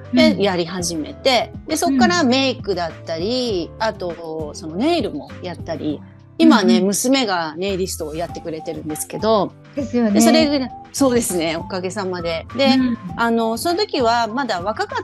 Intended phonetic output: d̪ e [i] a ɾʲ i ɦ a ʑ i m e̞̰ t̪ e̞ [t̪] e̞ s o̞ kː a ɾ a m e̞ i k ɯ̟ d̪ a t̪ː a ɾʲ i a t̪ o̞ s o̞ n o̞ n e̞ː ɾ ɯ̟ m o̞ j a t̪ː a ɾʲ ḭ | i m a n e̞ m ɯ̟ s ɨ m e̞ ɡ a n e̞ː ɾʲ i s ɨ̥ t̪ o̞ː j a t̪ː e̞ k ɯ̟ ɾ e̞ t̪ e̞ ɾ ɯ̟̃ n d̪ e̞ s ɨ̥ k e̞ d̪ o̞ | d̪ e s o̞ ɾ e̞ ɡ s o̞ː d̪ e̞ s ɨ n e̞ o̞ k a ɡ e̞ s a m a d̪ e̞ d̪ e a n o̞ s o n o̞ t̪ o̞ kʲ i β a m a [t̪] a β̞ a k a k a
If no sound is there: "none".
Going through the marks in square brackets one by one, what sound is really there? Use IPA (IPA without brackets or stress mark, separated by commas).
j, d̪, d̪